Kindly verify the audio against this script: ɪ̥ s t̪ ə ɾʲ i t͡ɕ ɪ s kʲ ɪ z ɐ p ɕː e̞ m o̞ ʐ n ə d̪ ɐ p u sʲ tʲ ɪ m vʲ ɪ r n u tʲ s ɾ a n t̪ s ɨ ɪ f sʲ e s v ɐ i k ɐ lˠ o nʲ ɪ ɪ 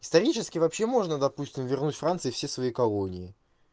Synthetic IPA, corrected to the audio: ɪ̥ s t̪ ɐ ɾʲ i t͡ɕ ɪ s kʲ ɪ v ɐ p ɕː e̞ m o̞ ʐ n ə d̪ ɐ p u sʲ tʲ ɪ m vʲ ɪ r n u tʲ f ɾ a n t̪ s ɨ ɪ f sʲ e s v ɐ i k ɐ lˠ o nʲ ɪ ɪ